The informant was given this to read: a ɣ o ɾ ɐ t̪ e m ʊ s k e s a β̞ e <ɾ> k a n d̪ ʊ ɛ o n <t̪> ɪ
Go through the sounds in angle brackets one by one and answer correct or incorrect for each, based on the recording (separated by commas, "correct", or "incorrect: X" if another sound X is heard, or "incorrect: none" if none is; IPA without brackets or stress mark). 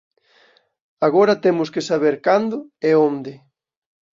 correct, incorrect: d̪